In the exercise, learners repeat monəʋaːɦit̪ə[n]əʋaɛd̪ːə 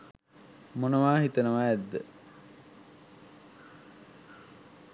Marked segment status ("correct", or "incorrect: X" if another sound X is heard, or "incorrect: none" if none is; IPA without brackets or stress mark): correct